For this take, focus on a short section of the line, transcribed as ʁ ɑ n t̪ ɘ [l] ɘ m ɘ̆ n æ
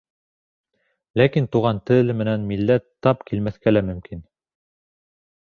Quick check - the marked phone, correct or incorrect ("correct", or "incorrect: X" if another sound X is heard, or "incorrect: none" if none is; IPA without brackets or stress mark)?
correct